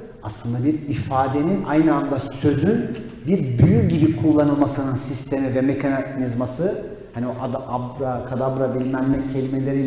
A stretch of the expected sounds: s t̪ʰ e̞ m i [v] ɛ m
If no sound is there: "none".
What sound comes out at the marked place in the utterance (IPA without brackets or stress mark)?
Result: v